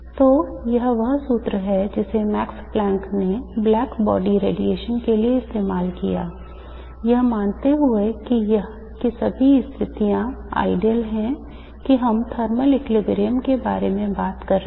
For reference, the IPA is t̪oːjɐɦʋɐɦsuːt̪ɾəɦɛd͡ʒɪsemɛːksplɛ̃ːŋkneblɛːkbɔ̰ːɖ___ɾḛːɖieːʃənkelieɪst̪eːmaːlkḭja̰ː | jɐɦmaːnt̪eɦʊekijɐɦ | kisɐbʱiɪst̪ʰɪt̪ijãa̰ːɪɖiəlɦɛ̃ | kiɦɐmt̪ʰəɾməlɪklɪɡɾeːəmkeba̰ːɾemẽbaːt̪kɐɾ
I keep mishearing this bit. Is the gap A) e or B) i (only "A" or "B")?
B